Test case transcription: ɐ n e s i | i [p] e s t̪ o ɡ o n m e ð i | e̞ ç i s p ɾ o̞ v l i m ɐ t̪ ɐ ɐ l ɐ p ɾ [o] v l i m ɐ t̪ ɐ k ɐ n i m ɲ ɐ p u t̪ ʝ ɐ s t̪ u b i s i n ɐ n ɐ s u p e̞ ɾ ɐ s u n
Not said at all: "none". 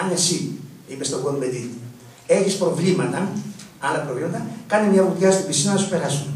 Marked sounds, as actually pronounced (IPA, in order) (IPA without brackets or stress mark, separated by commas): p, o